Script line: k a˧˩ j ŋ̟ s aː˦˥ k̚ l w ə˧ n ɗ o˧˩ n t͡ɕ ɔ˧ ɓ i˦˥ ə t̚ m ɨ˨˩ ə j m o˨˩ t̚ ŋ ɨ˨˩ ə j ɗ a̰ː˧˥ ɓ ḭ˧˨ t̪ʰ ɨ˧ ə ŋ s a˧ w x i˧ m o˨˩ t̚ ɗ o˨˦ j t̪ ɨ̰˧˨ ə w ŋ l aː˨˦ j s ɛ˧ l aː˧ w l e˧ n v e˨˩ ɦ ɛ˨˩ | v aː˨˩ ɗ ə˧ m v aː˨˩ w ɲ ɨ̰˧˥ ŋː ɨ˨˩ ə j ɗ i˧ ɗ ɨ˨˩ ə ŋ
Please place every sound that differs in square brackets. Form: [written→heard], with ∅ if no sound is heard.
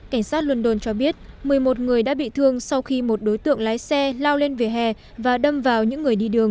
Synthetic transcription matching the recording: k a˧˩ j ŋ̟ s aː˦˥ [k̚→t̚] l w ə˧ n ɗ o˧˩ n t͡ɕ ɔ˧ ɓ i˦˥ ə t̚ m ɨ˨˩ ə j m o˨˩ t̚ ŋ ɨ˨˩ ə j ɗ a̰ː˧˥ ɓ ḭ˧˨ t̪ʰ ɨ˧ ə ŋ s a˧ w x i˧ m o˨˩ t̚ ɗ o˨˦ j t̪ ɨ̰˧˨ ə [w→∅] ŋ l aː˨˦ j s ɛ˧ l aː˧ w l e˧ n v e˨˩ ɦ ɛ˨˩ | v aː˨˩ ɗ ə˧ m v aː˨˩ w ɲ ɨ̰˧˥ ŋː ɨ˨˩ ə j ɗ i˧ ɗ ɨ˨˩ ə ŋ